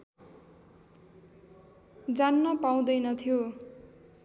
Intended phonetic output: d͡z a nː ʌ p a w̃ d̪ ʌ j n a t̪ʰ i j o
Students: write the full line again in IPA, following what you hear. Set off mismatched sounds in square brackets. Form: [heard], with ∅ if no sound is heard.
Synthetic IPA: d͡z a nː ʌ p a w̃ d̪ ʌ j n [ʌ] t̪ʰ i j o

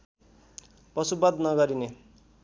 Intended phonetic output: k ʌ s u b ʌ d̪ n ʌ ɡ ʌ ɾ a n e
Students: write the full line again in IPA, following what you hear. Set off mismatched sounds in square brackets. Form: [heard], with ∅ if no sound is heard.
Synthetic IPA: [p] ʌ s u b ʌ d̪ n ʌ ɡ ʌ ɾ [i] n e

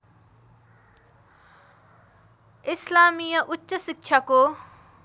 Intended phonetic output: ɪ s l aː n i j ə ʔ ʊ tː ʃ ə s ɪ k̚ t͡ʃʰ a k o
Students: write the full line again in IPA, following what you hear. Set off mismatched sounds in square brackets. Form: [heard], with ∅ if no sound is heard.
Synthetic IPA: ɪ s l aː [m] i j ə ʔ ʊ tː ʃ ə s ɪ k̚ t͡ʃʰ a k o

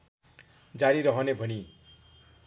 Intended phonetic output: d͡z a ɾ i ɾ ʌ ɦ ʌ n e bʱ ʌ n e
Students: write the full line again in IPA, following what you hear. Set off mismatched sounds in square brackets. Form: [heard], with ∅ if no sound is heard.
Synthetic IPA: d͡z a ɾ i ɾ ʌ ɦ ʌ n e bʱ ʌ n [i]

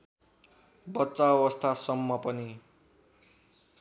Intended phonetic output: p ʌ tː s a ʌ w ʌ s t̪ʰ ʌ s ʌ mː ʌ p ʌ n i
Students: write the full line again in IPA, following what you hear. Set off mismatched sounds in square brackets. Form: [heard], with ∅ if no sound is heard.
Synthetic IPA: [b] ʌ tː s a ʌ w ʌ s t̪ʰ [a] s ʌ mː ʌ p ʌ n i

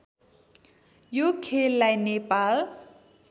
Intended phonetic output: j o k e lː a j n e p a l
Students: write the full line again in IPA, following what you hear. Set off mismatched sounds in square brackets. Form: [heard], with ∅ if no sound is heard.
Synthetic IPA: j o [kʰ] e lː a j n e p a l

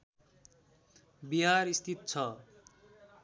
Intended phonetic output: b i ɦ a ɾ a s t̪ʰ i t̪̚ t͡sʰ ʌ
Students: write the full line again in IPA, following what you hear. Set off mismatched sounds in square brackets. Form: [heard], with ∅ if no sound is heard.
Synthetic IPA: b i ɦ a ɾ [i] s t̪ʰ i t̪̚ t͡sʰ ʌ

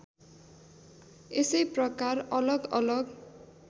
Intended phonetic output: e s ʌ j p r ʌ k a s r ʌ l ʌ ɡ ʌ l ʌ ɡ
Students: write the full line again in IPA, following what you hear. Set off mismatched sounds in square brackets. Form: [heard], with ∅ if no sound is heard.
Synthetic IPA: e s ʌ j p r ʌ k a [∅] r ʌ l ʌ ɡ ʌ l ʌ ɡ

